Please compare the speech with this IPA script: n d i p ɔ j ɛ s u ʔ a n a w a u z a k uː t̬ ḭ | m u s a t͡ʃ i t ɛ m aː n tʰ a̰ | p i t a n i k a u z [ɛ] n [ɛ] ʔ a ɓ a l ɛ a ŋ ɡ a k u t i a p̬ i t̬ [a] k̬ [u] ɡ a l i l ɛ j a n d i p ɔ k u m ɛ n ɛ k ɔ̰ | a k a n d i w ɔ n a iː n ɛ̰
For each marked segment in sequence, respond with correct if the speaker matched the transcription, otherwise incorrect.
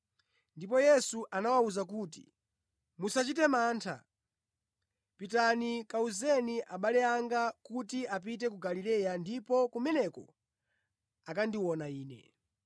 correct, incorrect, incorrect, correct

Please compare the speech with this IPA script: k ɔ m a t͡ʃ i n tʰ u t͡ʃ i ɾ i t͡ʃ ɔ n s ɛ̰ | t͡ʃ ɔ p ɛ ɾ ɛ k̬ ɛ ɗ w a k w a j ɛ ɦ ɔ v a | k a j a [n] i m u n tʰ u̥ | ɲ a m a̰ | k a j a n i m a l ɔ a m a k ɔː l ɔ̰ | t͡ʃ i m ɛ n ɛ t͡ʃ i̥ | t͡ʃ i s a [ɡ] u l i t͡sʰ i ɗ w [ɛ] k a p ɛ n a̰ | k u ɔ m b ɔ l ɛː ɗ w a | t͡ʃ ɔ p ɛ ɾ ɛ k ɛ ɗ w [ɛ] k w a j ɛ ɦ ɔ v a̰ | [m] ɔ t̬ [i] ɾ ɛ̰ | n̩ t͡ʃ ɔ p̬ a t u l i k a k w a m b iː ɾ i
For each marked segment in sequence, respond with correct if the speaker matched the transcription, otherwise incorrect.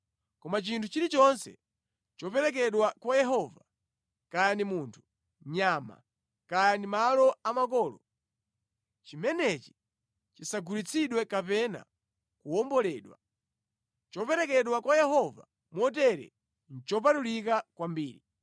correct, correct, correct, incorrect, correct, incorrect

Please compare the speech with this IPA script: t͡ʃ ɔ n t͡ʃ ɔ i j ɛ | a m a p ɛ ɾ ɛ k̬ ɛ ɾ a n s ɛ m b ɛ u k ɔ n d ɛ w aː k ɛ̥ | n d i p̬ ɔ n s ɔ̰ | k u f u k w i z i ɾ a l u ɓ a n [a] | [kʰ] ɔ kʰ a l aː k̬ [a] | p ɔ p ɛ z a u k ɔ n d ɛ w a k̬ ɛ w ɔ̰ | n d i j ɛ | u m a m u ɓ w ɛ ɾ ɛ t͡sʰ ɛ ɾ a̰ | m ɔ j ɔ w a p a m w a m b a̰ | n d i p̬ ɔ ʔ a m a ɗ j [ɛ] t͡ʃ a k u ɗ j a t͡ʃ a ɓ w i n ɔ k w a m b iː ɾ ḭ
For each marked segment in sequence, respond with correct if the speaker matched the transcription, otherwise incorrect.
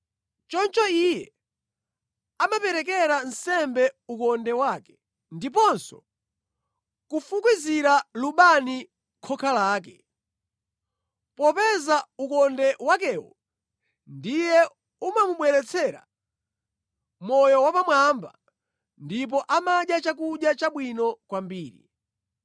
incorrect, correct, incorrect, incorrect

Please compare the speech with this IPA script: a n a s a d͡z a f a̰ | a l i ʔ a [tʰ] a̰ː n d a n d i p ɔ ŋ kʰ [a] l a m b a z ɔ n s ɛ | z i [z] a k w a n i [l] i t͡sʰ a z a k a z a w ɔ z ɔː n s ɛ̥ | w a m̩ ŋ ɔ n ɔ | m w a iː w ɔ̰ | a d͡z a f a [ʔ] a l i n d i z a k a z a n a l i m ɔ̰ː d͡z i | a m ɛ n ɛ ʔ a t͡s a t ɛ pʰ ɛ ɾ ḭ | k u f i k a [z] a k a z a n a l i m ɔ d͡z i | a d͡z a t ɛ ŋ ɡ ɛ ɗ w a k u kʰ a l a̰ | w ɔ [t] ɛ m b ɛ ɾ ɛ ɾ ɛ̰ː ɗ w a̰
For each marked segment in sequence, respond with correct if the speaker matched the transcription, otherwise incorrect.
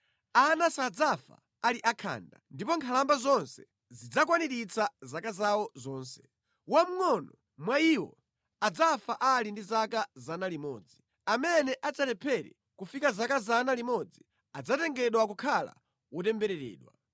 incorrect, correct, incorrect, incorrect, correct, correct, correct

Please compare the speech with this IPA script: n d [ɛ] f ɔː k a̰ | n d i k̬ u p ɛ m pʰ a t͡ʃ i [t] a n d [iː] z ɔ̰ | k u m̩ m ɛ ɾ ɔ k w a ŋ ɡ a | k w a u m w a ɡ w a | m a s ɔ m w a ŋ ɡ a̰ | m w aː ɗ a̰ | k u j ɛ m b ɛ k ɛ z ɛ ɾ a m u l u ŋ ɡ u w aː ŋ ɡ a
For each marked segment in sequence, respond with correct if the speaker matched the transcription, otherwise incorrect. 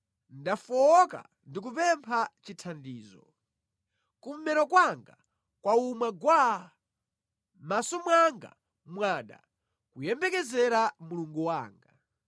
incorrect, incorrect, correct

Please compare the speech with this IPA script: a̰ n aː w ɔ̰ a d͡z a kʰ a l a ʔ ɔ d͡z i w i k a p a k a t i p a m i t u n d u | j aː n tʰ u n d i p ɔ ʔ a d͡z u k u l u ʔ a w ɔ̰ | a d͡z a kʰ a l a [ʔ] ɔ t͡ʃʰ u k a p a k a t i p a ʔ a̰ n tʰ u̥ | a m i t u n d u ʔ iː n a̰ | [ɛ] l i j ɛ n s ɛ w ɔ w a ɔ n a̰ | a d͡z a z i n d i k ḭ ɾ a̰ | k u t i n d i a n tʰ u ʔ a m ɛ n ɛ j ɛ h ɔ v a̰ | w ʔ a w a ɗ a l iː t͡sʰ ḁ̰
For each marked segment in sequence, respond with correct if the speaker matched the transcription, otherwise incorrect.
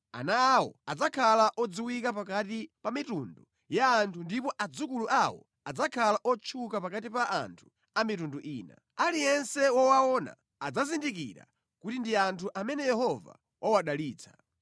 correct, incorrect

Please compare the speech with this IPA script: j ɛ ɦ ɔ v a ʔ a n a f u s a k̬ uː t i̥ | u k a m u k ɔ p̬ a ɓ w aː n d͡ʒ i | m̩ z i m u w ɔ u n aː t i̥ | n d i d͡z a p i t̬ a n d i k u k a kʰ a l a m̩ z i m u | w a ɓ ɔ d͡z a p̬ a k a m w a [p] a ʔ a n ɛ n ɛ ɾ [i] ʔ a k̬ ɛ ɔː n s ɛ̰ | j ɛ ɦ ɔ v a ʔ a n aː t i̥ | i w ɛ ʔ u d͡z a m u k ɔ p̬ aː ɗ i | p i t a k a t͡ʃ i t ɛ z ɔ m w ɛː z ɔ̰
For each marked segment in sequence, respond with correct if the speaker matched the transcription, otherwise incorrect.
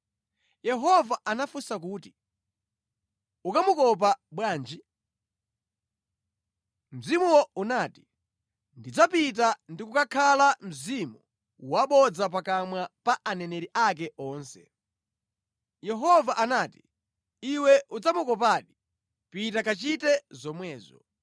correct, correct

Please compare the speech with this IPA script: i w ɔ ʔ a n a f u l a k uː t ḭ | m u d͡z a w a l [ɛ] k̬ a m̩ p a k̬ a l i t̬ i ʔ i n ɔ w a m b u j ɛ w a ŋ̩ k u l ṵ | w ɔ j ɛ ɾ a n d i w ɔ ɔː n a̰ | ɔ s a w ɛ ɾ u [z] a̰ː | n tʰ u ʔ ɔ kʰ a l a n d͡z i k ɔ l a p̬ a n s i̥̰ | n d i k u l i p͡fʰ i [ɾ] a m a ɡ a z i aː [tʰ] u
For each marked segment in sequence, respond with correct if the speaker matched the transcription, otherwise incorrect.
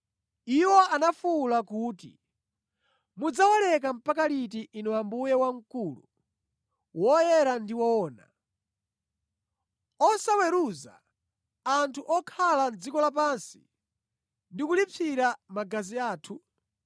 correct, correct, correct, correct

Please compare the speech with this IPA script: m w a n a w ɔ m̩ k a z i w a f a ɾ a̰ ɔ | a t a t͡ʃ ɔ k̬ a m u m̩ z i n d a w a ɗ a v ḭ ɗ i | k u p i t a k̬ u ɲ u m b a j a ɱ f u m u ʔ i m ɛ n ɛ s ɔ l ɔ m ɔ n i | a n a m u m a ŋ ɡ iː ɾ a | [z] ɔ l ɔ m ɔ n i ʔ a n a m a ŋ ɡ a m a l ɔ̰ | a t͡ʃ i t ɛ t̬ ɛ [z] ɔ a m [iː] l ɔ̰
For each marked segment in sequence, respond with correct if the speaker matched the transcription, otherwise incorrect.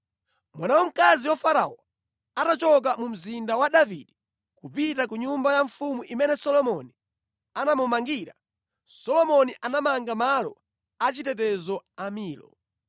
incorrect, correct, correct

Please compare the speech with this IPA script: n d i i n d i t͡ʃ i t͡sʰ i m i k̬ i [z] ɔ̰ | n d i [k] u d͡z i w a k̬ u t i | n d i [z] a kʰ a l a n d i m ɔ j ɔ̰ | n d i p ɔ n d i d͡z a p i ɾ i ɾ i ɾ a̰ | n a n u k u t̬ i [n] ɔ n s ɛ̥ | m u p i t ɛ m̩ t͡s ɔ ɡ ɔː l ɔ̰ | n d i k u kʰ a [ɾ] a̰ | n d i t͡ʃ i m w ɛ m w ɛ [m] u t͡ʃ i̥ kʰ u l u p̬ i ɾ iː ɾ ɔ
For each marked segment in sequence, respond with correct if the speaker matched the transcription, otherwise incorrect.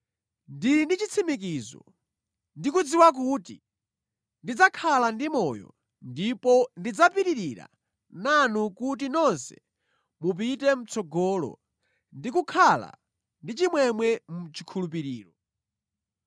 correct, correct, incorrect, correct, incorrect, correct

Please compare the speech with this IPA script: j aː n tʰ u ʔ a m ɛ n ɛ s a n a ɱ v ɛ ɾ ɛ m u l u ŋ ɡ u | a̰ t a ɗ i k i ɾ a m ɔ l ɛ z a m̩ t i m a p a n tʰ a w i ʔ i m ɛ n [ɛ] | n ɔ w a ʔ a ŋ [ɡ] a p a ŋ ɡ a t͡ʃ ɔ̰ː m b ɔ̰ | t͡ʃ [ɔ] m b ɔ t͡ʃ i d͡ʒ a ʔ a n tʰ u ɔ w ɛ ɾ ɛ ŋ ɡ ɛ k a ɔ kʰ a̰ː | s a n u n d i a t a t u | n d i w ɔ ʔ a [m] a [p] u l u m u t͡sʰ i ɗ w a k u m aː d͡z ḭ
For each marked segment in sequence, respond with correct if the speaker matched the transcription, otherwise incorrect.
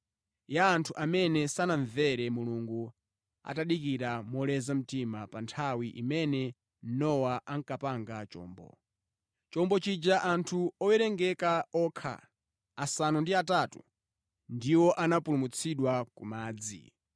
correct, incorrect, correct, incorrect, correct

